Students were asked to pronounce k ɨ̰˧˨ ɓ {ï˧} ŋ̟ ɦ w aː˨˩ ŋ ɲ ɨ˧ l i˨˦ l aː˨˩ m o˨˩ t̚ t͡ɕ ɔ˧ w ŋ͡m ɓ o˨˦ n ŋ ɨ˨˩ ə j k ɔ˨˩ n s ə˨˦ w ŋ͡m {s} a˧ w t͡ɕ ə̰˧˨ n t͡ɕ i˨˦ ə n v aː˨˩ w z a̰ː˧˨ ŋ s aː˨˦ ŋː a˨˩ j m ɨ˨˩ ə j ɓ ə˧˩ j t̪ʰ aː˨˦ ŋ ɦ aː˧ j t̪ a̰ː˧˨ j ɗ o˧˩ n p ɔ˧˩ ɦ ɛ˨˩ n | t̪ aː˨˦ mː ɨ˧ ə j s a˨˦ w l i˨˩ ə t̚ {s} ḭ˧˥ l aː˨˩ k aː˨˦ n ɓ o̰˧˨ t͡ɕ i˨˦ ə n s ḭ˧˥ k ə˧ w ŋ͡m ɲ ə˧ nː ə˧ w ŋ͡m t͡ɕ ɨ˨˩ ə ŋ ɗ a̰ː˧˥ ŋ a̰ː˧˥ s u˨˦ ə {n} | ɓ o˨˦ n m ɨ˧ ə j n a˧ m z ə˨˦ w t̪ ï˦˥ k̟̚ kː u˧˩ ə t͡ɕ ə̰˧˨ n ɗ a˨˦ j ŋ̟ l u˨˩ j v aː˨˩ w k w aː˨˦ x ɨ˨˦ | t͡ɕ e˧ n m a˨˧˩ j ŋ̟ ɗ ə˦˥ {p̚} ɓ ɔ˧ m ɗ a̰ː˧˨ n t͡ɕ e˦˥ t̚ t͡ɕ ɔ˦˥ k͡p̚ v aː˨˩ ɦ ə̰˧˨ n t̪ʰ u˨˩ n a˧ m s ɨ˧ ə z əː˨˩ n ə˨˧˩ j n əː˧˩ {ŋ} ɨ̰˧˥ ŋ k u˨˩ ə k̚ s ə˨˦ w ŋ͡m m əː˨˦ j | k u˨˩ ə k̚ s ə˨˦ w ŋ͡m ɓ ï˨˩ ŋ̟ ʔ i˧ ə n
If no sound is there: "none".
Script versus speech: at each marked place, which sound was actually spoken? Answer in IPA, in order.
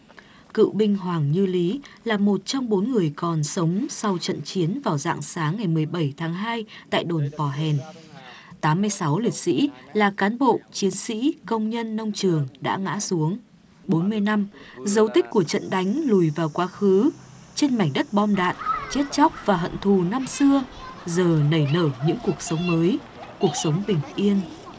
ï˧, s, s, ŋ, t̚, ɲ

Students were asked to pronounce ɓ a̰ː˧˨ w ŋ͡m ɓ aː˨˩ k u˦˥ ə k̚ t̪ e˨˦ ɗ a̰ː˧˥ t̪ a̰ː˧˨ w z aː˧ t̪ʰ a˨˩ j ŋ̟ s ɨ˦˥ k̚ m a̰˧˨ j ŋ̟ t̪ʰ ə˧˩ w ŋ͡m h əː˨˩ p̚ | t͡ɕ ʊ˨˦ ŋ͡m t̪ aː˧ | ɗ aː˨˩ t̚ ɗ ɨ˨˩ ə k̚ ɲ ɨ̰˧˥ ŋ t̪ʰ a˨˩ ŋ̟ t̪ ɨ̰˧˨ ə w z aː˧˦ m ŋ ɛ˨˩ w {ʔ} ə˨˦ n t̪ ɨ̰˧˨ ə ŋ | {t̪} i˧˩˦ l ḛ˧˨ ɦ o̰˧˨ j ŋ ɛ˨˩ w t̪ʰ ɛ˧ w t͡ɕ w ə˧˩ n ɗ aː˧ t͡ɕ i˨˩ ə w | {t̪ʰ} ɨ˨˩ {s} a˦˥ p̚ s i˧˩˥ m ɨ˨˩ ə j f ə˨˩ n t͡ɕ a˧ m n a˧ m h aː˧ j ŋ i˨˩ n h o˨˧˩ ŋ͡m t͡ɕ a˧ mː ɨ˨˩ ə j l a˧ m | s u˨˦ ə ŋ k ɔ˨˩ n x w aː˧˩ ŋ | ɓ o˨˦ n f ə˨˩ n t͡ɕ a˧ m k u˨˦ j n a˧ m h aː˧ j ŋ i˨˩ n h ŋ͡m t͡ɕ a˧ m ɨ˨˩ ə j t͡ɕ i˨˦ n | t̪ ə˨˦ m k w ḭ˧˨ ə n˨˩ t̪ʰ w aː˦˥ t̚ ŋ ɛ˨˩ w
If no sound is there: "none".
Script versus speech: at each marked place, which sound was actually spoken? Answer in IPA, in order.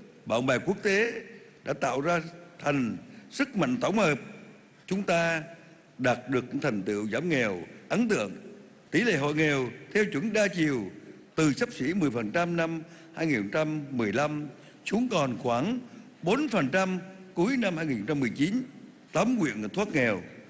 ʔ, t̪, t̪, s

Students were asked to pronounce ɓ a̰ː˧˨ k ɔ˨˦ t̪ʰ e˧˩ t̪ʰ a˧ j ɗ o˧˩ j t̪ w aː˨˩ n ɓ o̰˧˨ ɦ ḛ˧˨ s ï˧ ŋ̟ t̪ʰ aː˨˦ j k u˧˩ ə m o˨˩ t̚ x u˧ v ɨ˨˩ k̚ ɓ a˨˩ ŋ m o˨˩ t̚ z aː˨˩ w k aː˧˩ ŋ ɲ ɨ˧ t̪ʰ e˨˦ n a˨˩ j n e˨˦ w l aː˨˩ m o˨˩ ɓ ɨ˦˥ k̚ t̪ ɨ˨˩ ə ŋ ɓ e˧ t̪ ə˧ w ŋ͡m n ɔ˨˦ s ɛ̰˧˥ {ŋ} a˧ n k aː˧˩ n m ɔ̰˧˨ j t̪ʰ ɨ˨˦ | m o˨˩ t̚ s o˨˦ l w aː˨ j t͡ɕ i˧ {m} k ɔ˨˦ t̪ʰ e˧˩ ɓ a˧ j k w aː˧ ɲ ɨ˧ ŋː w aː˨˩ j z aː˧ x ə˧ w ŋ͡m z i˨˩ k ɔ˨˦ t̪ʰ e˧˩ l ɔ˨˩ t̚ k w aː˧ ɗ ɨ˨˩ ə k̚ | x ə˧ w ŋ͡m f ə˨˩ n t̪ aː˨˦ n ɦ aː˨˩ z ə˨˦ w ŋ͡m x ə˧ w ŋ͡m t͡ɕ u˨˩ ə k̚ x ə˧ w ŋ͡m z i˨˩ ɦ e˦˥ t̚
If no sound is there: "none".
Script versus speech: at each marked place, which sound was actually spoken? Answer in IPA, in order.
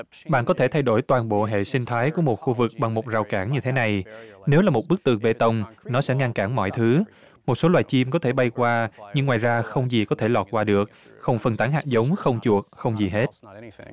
ŋ, m

